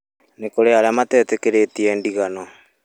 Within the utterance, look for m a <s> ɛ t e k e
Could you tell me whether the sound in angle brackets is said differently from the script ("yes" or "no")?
yes